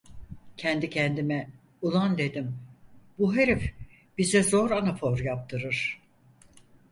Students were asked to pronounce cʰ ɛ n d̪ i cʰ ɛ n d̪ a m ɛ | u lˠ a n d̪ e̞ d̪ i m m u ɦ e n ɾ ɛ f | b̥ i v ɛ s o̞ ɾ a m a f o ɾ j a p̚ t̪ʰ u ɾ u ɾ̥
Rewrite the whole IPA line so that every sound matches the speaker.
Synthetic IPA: cʰ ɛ n d̪ i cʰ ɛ n d̪ i m ɛ | u lˠ a n d̪ e̞ d̪ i m b u ɦ e ɾ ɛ f | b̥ i z ɛ z o̞ ɾ a n a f o ɾ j a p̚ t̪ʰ ɯ ɾ ɯ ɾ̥